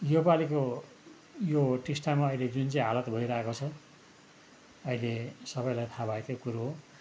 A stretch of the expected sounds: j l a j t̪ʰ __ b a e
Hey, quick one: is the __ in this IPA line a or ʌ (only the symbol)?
a